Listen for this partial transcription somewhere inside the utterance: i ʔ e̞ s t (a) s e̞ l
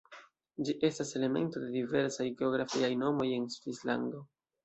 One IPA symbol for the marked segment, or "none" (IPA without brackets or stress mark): a